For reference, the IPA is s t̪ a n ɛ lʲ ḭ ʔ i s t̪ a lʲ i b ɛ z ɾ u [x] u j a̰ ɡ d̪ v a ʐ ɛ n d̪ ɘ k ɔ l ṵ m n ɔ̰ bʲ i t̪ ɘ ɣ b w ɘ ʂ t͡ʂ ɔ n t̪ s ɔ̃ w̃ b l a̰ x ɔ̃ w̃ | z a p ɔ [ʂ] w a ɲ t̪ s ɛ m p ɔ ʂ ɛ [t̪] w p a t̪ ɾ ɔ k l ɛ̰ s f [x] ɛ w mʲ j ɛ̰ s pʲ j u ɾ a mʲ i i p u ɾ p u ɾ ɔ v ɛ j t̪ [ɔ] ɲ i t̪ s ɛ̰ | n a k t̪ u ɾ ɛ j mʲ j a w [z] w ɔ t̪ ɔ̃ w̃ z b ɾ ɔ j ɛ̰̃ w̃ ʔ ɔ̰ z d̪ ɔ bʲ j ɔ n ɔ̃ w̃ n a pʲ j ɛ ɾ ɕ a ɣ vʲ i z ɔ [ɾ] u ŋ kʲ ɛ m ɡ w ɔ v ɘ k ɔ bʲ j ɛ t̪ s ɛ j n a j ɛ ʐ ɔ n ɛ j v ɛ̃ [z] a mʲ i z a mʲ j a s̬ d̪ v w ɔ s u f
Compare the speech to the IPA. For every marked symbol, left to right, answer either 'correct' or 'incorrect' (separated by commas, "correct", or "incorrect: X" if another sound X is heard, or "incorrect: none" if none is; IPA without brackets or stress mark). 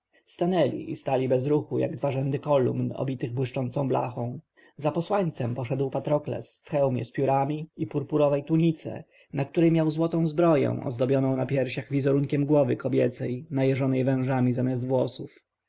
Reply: correct, incorrect: s, incorrect: d̪, correct, incorrect: u, correct, correct, incorrect: ʐ